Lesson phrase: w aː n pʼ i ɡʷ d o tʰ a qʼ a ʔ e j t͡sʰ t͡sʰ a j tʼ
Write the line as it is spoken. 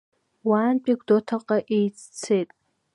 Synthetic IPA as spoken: w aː n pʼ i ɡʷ d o tʰ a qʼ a ʔ e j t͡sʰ t͡sʰ e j tʼ